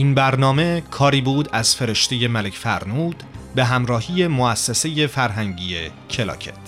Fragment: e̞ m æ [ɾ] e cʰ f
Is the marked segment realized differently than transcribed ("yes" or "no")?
yes